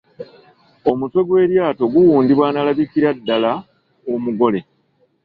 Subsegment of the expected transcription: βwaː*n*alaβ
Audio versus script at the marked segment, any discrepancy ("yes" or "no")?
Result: no